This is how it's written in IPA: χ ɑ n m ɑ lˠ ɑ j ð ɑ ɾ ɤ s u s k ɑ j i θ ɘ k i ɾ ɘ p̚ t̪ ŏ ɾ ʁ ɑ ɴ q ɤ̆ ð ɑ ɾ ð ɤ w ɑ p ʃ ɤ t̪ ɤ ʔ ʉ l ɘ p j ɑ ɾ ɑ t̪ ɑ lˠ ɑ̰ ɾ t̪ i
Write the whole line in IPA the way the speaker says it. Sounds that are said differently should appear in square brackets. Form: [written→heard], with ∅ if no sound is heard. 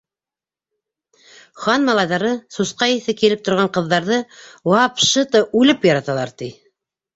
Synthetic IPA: χ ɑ n m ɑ lˠ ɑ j ð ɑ ɾ ɤ s u s [k→q] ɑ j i θ ɘ k i [ɾ→l] ɘ p̚ t̪ ŏ ɾ ʁ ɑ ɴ q ɤ̆ [ð→ðː] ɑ ɾ ð ɤ w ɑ p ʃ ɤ t̪ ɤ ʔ ʉ l ɘ p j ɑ ɾ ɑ t̪ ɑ lˠ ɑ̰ ɾ t̪ i